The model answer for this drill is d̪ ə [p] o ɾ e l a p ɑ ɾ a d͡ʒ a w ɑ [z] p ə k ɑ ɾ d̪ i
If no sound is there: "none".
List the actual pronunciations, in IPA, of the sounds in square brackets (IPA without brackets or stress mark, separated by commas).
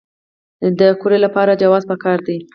k, z